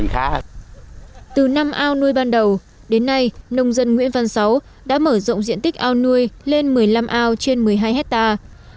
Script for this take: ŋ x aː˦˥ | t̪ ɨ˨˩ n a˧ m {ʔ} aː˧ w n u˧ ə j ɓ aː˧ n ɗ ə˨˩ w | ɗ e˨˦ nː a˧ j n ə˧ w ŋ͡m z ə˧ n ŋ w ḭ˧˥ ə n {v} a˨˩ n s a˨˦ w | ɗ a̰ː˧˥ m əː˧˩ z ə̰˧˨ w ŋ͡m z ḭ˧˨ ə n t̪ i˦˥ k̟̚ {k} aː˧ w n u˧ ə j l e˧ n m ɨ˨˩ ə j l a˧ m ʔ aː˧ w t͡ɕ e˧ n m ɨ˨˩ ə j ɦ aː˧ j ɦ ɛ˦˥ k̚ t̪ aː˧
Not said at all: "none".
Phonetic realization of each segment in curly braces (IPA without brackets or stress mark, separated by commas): ʔ, v, ʔ